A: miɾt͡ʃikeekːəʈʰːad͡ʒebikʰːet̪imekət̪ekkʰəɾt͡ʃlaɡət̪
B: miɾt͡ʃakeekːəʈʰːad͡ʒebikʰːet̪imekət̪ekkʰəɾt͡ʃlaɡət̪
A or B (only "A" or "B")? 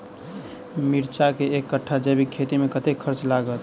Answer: B